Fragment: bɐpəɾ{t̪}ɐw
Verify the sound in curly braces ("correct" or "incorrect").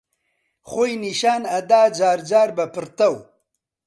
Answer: correct